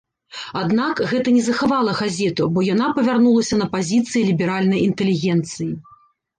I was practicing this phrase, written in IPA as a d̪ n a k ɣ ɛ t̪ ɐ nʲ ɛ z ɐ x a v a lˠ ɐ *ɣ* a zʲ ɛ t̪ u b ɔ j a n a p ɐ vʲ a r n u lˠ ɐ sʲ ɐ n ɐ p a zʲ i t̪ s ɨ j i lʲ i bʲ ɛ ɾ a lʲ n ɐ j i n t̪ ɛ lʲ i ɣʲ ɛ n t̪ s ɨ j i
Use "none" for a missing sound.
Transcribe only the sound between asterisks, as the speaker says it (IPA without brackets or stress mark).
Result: ɣ